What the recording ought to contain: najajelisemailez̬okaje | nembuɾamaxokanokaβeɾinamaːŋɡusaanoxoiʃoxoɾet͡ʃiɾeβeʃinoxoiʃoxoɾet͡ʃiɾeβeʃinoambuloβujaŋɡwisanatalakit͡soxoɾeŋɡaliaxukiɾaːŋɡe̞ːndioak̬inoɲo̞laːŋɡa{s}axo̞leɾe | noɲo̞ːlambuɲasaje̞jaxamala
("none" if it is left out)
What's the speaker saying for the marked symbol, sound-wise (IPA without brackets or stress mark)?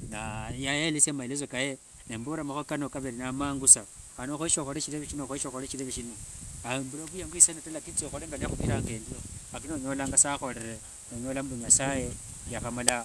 s